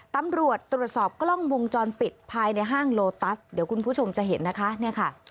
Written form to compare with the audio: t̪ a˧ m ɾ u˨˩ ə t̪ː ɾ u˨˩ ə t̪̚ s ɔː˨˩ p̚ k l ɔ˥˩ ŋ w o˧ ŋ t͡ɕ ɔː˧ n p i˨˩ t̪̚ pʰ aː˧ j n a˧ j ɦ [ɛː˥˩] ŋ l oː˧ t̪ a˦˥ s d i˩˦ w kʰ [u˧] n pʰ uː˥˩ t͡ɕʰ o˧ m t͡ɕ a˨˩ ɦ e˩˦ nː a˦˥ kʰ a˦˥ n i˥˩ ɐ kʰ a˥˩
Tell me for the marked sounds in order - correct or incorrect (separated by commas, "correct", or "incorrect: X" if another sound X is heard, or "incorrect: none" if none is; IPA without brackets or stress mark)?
incorrect: aː˥˩, correct